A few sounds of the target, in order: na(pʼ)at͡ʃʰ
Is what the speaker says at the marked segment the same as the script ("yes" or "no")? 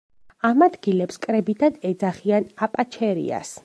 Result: yes